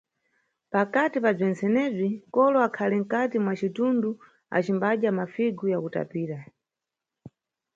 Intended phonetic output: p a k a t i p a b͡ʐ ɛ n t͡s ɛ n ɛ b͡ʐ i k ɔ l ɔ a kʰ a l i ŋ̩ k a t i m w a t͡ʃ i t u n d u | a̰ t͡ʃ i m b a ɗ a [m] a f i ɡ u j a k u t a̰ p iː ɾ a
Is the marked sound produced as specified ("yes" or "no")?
yes